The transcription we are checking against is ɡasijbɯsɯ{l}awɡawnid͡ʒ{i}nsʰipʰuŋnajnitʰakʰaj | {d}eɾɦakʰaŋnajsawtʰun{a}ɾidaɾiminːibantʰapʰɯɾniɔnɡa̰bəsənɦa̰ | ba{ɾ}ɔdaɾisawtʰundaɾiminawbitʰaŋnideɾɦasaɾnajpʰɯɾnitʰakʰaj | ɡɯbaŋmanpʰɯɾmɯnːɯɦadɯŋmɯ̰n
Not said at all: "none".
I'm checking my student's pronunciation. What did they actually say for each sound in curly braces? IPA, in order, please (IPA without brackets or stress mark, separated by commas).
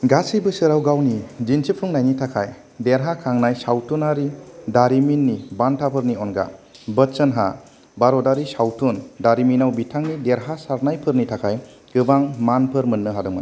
ɾ, i, d, a, ɾ